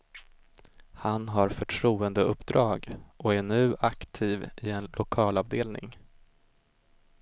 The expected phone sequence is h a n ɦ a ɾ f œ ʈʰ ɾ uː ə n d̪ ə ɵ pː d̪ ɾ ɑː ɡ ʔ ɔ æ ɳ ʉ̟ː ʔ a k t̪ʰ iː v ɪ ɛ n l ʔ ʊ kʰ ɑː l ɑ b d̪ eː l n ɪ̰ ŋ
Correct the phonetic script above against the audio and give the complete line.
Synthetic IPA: h a n ɦ a ɾ f œ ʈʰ ɾ uː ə n d̪ ə ɵ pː d̪ ɾ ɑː ɡ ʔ ɔ æ ɳ ʉ̟ː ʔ a k t̪ʰ iː v ɪ ɛ n l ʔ ʊ kʰ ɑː l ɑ v d̪ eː l n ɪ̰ ŋ